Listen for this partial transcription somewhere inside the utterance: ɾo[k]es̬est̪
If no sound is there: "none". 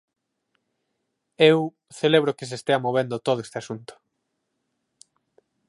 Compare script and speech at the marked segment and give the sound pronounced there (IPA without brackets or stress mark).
k